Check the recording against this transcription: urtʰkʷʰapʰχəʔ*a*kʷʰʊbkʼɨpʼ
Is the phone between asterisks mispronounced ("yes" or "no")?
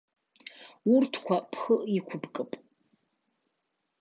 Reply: yes